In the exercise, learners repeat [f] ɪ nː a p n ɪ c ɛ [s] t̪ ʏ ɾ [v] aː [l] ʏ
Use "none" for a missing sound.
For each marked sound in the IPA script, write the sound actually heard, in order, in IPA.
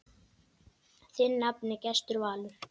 θ, s, v, l

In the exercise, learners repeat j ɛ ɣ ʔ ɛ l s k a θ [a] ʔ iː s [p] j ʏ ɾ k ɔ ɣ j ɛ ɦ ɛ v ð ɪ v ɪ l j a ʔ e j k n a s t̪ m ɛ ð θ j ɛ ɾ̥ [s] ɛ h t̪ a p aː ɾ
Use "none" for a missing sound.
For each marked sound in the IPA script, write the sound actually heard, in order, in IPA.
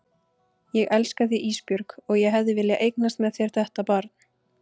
i, p, θ

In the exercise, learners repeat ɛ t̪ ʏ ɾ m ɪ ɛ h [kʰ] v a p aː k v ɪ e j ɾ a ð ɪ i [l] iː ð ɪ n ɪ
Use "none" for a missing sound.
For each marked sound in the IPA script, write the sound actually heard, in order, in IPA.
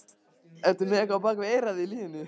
k, l

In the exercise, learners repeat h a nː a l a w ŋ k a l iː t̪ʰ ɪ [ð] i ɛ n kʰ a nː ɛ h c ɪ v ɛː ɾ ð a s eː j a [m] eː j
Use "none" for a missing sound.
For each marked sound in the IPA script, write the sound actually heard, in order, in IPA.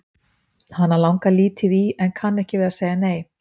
ð, n

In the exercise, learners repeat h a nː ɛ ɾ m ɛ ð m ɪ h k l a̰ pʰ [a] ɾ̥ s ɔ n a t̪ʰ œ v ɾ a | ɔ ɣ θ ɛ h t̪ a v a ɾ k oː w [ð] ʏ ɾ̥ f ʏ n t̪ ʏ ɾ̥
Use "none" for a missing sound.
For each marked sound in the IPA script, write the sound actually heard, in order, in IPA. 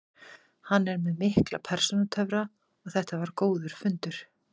ɛ, ð

